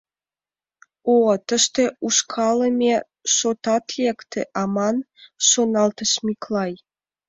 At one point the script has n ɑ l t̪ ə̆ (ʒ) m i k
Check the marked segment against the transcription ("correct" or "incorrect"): incorrect